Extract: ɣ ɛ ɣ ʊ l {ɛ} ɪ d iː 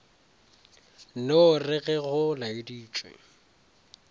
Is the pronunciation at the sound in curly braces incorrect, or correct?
incorrect